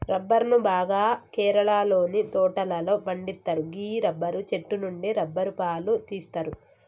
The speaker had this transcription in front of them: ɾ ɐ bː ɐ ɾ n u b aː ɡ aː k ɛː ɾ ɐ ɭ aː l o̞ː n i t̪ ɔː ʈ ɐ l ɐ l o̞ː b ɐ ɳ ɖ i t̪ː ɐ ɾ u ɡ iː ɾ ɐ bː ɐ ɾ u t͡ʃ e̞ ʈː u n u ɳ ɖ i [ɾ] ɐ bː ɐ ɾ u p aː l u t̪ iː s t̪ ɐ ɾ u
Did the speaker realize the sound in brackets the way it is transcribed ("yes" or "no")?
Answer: yes